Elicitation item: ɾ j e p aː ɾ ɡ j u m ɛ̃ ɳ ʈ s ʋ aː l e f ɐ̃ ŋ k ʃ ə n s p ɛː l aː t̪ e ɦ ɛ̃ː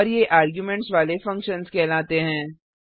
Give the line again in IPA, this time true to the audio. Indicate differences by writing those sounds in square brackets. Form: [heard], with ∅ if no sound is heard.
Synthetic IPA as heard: ɾ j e [ʔ] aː ɾ ɡ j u m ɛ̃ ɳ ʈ s ʋ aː l e f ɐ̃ ŋ k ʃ ə n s [k] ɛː l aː t̪ e ɦ ɛ̃ː